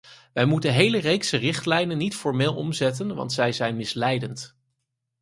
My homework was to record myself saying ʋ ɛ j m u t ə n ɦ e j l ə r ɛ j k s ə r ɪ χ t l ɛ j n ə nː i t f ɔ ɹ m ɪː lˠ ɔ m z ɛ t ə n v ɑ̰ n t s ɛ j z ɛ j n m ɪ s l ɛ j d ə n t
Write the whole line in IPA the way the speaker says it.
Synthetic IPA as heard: ʋ ɛ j m u t ə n ɦ e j l ə r e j k s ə r ɪ χ t l ɛ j n ə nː i t f ɔ ɹ m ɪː lˠ ɔ m z ɛ t ə n ʋ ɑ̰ n t s ɛ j z ɛ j n m ɪ s l ɛ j d ə n t